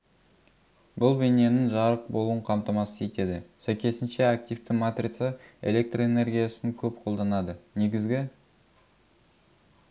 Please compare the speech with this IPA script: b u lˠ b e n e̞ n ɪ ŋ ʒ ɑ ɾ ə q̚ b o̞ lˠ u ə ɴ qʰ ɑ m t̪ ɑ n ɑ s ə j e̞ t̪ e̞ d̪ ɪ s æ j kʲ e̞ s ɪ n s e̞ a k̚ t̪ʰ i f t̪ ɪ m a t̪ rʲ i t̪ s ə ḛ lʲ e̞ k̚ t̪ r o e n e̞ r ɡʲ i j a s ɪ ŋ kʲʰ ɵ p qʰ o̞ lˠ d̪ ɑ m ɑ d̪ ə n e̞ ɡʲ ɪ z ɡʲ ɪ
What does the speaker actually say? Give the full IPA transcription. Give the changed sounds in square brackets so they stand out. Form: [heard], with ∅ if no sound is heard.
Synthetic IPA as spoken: b [ʊ] lˠ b e n e̞ n ɪ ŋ ʒ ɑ ɾ ə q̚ b o̞ lˠ u ə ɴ qʰ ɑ m t̪ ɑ [m] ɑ s ə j e̞ t̪ e̞ d̪ ɪ s æ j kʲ e̞ s ɪ n [ʃ] e̞ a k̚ [t̪] i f t̪ ɪ m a t̪ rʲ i t̪ s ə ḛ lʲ e̞ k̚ t̪ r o e n e̞ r ɡʲ i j a s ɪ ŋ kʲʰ ɵ p qʰ o̞ lˠ d̪ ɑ [n] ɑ d̪ ə n e̞ ɡʲ ɪ z ɡʲ ɪ